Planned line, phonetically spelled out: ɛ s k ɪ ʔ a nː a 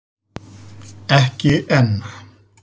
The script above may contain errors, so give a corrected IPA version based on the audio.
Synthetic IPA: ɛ h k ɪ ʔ ɛ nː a

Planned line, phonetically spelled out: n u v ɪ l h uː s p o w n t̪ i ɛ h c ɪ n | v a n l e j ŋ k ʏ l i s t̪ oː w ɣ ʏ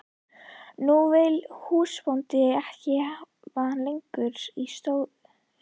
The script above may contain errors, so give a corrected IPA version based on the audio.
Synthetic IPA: n u v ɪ l h uː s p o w n t̪ ɪ ɛ h c ɪ | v a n l e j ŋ k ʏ ɾ i s t̪ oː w ð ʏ

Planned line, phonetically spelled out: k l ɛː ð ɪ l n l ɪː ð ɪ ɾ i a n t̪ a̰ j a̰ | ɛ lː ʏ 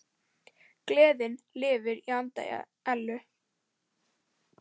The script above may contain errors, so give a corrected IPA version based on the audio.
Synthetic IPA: k l ɛː ð ɪ n l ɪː v ɪ ɾ i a n t̪ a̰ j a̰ | ɛ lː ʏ

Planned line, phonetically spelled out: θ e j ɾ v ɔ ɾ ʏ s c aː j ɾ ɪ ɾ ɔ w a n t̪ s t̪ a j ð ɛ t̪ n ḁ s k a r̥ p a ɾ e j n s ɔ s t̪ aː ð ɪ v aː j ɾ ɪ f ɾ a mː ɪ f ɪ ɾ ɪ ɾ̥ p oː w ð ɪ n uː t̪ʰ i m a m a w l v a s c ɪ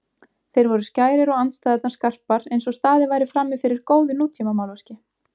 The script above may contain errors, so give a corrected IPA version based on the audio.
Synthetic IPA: θ e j ɾ v ɔ ɾ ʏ s c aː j ɾ ɪ ɾ ɔ ɣ a n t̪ s t̪ a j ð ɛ t̪ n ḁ s k a r̥ p a ɾ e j n s ɔ s t̪ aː ð ɪ v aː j ɾ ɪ f ɾ a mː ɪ f ɪ ɾ ɪ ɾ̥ k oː w ð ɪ n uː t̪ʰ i m a m a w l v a s c ɪ

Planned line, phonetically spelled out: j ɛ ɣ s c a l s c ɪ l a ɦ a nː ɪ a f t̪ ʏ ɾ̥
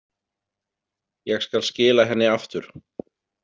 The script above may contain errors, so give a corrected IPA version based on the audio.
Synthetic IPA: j ɛ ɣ s k a l s c ɪː l a ɦ ɛ nː ɪ a f t̪ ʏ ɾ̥

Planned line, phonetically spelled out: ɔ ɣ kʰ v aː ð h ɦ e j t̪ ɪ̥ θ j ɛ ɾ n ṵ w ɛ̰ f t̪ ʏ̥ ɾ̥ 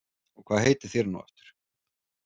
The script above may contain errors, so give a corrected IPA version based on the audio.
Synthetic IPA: ɔ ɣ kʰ v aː ð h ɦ e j t̪ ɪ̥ θ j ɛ ɾ n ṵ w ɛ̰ f t̪ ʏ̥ ɾ̥

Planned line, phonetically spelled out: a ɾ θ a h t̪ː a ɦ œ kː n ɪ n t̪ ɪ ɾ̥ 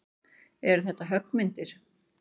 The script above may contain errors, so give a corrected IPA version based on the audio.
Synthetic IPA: ɛ ɾ θ ɛ h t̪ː a ɦ œ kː m ɪ n t̪ ɪ ɾ̥

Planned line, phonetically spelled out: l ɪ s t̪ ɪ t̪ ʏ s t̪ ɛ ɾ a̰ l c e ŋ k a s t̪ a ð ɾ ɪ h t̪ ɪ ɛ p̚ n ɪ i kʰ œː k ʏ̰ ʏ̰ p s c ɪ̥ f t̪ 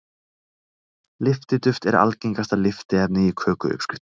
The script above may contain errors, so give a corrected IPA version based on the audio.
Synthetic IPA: l ɪ f t̪ ɪ t̪ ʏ f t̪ ɛ ɾ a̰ l c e ŋ k a s t̪ a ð l ɪ f t̪ ɪ ɛ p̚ n ɪ i kʰ œː k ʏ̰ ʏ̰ p s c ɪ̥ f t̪

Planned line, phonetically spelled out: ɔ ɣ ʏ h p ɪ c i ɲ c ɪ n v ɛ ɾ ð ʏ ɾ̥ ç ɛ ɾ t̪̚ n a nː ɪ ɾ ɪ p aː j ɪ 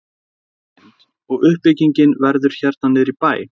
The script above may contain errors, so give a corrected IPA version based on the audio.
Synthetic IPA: ɔ ɣ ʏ h p ɪ c i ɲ c ɪ n v ɛ ɾ ð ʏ ɾ̥ ç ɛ ɾ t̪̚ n a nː ɪ ɾ i p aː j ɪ

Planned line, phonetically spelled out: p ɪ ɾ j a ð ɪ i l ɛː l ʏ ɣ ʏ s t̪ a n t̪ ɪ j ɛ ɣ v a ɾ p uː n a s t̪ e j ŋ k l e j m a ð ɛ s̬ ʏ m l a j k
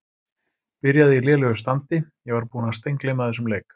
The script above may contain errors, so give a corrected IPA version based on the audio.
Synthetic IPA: p ɪ ɾ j a ð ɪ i l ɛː l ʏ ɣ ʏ s t̪ a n t̪ ɪ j ɛ ɣ v a ɾ p uː n a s t̪ e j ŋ k l e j m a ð ɛ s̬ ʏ m l e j k

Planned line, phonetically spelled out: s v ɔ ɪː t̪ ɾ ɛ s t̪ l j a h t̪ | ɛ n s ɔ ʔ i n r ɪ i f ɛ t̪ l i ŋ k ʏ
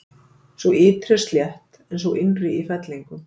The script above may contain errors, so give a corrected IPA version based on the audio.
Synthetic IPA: s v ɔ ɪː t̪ ɾ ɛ s t̪ l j ɛ h t̪ | ɛ n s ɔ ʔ ɪ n r ɪ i f ɛ t̪ l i ŋ k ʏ

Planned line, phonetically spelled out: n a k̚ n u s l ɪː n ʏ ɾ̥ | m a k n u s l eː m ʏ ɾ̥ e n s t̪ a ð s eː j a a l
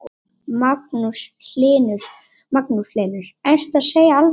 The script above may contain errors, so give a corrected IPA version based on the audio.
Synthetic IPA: m a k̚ n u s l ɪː n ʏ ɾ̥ | m a k n u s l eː n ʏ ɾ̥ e n s t̪ a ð s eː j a a l

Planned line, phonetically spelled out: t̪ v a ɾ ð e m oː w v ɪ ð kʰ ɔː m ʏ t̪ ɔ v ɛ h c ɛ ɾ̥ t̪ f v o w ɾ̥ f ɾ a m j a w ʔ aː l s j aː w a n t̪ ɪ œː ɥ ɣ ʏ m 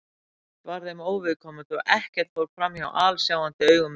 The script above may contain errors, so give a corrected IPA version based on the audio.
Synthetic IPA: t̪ v a ɾ ð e m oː w v ɪ ð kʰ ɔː m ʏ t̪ ɔ ɣ ɛ h c ɛ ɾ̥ t̪ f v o w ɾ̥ f ɾ a m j a w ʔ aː l s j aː w a n t̪ ɪ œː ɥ ɣ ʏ m

